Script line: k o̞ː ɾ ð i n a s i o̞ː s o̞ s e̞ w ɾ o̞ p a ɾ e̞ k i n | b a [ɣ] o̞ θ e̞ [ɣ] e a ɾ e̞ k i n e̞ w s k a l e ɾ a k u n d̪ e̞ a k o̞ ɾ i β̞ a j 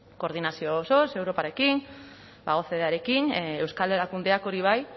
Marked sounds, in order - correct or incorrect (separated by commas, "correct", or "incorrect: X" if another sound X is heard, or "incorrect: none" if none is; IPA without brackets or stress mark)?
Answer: correct, incorrect: ð